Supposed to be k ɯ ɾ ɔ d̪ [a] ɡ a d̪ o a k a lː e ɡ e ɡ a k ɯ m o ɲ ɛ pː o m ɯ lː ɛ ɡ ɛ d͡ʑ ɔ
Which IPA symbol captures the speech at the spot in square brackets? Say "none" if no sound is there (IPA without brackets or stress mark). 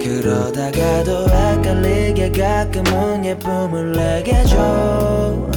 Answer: a